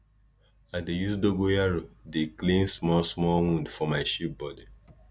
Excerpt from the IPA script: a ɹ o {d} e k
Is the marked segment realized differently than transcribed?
no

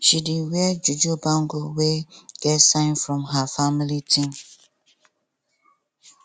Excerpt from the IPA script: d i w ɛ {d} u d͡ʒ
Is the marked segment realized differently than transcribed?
yes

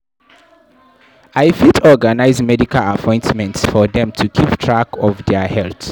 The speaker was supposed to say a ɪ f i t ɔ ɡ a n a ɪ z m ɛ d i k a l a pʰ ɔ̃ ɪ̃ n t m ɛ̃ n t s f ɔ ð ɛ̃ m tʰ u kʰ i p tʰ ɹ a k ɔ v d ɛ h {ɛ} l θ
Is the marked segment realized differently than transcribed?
no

